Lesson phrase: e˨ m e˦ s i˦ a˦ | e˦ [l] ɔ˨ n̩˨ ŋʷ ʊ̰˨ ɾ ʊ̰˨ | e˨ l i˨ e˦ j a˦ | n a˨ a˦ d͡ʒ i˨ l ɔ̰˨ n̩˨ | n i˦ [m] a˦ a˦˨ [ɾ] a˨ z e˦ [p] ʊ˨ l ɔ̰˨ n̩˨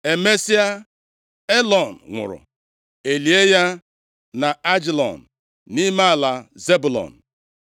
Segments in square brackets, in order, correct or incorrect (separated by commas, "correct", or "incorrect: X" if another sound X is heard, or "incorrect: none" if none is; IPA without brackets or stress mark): correct, correct, incorrect: l, incorrect: b